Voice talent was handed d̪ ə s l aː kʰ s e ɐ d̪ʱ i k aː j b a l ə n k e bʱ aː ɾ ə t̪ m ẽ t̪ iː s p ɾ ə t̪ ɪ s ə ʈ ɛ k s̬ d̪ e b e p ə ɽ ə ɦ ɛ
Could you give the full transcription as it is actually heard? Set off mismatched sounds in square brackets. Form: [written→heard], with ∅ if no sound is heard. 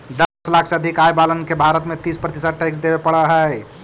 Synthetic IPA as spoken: d̪ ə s l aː kʰ s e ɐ d̪ʱ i k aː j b a l ə n k e bʱ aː ɾ ə t̪ m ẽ t̪ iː s p ɾ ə t̪ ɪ s ə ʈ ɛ k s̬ d̪ e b e p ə ɽ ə ɦ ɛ